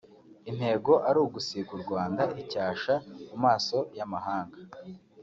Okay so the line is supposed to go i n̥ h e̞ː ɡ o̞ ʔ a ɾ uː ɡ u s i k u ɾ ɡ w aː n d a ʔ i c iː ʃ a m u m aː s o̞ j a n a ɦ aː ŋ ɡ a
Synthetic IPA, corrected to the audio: i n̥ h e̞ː ɡ o̞ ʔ a ɾ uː ɡ u s i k u ɾ ɡ w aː n d a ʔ i c aː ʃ a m u m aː s o̞ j a m a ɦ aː ŋ ɡ a